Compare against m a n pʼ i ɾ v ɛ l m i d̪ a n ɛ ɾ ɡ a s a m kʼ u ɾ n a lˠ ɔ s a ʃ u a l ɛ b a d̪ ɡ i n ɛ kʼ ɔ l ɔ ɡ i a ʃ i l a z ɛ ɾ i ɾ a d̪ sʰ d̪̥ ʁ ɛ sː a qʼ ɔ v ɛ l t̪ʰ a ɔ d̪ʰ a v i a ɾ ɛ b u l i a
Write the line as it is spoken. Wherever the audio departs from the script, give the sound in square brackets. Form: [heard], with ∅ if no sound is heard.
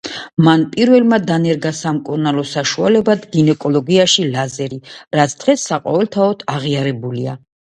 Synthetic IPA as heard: m a n pʼ i ɾ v ɛ l m [a] d̪ a n ɛ ɾ ɡ a s a m kʼ u ɾ n a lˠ ɔ s a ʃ u a l ɛ b a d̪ ɡ i n ɛ kʼ ɔ l ɔ ɡ i a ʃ i l a z ɛ ɾ i ɾ a [t̪] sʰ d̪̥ ʁ ɛ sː a qʼ ɔ v ɛ l t̪ʰ a ɔ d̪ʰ a [ʁ] i a ɾ ɛ b u l i a